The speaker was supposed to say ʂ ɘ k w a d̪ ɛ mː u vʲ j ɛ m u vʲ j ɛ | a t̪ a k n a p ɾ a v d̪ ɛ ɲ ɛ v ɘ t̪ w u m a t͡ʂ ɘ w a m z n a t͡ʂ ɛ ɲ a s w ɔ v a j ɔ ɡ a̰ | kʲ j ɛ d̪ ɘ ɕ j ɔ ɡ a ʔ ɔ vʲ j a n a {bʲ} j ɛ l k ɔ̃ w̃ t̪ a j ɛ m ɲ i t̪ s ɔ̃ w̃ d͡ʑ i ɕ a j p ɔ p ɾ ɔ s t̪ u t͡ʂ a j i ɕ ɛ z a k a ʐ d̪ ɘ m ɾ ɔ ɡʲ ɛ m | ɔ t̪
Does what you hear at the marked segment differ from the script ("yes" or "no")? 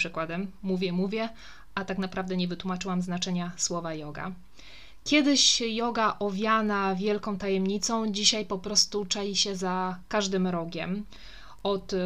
yes